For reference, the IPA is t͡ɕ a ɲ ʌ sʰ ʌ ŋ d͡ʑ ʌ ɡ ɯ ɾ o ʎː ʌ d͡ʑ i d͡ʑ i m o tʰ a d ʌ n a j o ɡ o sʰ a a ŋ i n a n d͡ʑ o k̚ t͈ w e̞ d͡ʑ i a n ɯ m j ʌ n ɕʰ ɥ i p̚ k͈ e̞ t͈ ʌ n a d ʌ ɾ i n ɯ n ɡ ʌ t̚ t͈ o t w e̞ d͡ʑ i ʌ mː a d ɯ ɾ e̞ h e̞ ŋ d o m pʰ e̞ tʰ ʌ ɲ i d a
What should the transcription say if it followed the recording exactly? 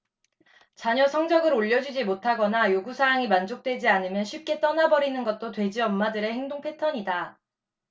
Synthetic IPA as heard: t͡ɕ a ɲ ʌ sʰ ʌ ŋ d͡ʑ ʌ ɡ ɯ ɾ o ʎː ʌ d͡ʑ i d͡ʑ i m o tʰ a ɡ ʌ n a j o ɡ u sʰ a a ŋ i m a n d͡ʑ o k̚ t͈ w e̞ d͡ʑ i a n ɯ m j ʌ n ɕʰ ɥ i p̚ k͈ e̞ t͈ ʌ n a b ʌ ɾ i n ɯ n ɡ ʌ t̚ t͈ o t w e̞ d͡ʑ i ʌ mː a d ɯ ɾ e̞ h e̞ ŋ d o ŋ pʰ e̞ tʰ ʌ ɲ i d a